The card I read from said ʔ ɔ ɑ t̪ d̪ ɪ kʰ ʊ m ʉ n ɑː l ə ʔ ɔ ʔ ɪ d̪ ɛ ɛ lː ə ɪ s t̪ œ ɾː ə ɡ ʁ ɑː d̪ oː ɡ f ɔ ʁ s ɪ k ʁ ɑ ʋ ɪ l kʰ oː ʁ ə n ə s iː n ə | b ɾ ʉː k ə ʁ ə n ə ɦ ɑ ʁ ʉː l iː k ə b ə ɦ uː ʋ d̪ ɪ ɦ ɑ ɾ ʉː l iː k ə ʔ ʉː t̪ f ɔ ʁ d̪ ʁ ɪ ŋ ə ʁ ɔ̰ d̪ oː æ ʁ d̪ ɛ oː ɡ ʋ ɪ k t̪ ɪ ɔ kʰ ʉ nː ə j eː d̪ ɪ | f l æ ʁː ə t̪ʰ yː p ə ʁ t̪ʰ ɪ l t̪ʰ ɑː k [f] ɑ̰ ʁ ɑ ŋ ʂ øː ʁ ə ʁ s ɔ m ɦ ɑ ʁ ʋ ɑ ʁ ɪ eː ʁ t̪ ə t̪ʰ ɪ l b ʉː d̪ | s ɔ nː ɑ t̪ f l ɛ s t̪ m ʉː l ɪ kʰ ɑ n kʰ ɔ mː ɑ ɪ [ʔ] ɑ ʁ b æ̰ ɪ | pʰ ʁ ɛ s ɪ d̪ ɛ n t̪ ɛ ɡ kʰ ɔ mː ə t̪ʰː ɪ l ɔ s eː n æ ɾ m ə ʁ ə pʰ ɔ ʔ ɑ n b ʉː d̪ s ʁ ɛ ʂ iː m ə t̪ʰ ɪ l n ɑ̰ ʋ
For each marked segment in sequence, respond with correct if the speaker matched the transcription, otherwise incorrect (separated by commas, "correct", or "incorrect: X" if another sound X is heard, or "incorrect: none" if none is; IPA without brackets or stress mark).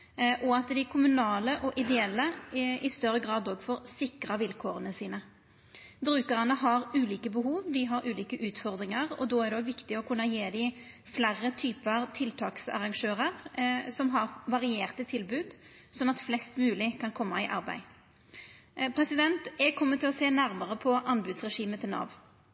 incorrect: s, correct